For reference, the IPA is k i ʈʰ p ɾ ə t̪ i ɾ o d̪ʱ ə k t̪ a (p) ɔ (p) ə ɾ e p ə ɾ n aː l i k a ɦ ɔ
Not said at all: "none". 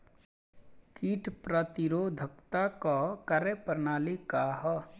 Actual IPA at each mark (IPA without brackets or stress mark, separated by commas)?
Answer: k, k